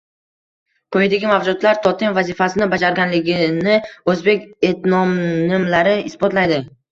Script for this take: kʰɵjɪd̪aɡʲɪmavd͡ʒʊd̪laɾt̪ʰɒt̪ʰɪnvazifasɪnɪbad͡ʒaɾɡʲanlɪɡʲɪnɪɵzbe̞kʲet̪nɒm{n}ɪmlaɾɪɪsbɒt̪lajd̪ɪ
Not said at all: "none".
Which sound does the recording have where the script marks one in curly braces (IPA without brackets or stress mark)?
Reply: n